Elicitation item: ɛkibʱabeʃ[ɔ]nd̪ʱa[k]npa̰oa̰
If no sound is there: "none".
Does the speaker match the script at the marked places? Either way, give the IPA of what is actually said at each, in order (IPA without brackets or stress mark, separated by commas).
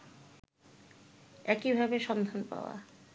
ɔ, none